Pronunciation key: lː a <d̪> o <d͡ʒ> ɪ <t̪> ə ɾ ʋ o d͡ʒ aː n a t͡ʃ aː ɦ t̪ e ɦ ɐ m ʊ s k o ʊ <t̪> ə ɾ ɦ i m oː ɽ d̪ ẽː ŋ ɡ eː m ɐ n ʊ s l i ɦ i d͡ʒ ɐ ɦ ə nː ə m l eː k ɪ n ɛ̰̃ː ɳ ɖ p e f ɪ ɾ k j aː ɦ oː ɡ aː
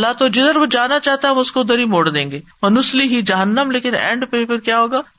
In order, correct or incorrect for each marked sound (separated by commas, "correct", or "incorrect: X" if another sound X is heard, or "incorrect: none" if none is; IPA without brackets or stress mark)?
incorrect: t̪, correct, incorrect: d̪, incorrect: d̪